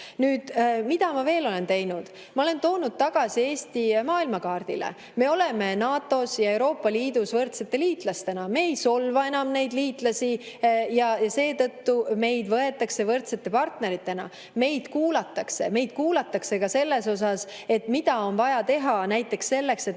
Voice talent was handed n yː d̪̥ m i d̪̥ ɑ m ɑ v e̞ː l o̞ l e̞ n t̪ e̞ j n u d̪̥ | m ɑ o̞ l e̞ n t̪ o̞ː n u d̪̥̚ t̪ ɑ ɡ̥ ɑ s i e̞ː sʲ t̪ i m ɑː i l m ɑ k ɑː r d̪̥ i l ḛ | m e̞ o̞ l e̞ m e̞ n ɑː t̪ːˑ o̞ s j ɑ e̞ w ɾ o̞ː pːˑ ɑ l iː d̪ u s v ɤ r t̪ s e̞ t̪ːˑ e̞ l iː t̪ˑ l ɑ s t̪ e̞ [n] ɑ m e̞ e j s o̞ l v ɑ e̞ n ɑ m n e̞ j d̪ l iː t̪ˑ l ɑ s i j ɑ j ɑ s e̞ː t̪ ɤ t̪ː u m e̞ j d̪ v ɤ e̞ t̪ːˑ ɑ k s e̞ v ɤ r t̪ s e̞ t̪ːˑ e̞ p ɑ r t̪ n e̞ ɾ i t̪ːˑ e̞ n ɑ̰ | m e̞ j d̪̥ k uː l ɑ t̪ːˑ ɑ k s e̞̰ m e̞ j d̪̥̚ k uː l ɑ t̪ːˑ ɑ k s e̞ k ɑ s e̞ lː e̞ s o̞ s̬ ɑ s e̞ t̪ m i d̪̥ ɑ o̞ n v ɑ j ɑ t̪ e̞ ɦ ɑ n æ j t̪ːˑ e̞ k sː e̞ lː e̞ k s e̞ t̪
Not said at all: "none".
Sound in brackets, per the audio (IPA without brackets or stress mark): n